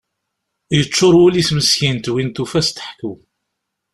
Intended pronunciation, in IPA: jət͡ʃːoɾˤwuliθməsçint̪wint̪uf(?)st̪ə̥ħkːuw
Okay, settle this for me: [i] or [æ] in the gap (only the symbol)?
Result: æ